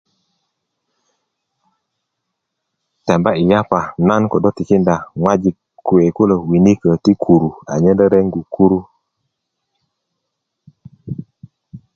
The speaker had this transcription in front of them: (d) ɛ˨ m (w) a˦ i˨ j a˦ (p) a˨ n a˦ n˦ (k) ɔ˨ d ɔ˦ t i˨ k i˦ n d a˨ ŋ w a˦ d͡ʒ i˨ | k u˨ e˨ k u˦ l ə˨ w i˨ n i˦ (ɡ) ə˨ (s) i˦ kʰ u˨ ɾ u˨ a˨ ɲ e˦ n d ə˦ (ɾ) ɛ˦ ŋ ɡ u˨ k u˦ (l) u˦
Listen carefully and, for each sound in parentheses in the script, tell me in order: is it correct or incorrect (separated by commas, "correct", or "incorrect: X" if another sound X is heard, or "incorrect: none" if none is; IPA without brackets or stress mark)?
incorrect: t, incorrect: b, correct, correct, incorrect: k, incorrect: t, correct, incorrect: ɾ